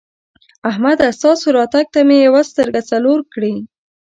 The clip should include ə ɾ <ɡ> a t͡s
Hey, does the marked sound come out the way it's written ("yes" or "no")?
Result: yes